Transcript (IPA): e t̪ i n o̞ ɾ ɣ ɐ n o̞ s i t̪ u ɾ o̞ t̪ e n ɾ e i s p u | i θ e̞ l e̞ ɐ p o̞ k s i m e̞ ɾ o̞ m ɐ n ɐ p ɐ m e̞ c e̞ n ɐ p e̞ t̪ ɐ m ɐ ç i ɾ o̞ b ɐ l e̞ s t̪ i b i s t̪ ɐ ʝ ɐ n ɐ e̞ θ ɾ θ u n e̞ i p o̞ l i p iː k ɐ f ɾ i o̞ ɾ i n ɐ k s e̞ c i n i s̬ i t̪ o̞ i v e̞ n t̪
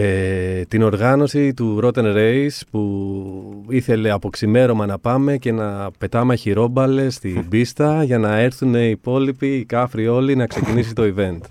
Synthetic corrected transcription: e t̪ i n o̞ ɾ ɣ ɐ n o̞ s i t̪ u ɾ o̞ t̪ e n ɾ e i s p u | i θ e̞ l e̞ ɐ p o̞ k s i m e̞ ɾ o̞ m ɐ n ɐ p ɐ m e̞ c e̞ n ɐ p e̞ t̪ ɐ m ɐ ç i ɾ o̞ b ɐ l e̞ s t̪ i b i s t̪ ɐ ʝ ɐ n ɐ e̞ ɾ θ u n e̞ i p o̞ l i p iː k ɐ f ɾ i o̞ l i n ɐ k s e̞ c i n i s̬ i t̪ o̞ i v e̞ n t̪